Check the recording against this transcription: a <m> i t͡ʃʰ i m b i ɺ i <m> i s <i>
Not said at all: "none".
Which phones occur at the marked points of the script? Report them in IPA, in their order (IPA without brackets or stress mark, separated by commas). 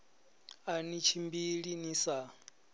n, n, a